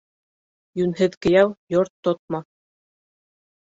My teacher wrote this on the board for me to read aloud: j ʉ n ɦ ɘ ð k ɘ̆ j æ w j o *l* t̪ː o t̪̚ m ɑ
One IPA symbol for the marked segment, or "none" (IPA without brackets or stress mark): ɾ